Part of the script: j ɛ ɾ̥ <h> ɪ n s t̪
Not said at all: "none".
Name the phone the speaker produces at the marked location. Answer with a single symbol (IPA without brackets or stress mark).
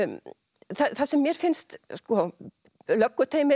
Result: f